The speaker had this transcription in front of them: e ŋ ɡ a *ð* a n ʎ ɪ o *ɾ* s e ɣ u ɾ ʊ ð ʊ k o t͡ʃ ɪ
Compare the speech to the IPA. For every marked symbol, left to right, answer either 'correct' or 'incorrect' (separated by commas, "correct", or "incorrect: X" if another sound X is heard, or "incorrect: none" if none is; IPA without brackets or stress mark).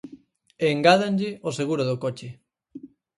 correct, incorrect: none